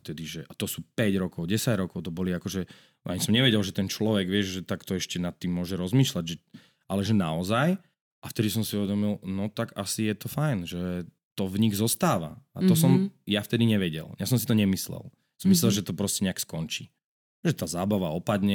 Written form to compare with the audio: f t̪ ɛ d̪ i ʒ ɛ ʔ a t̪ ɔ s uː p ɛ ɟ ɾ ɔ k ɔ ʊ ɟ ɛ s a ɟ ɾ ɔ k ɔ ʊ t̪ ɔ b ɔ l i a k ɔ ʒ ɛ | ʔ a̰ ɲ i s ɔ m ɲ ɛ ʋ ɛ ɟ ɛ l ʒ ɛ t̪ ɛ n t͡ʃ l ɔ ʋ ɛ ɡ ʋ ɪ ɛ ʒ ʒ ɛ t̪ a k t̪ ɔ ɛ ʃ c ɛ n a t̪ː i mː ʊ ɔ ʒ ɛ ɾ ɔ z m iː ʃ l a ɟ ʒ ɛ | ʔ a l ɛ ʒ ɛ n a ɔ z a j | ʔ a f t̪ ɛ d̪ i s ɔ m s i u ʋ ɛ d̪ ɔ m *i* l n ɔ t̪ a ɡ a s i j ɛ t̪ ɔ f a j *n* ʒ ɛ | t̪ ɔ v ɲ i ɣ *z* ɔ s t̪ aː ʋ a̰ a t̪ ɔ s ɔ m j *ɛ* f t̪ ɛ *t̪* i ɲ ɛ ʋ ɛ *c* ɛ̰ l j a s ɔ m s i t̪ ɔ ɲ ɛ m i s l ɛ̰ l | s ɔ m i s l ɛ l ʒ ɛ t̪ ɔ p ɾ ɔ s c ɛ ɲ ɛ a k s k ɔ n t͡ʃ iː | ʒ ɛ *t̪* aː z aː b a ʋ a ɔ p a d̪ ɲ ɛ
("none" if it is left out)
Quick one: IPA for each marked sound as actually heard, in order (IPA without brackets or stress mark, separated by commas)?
i, n, z, a, d̪, ɟ, t̪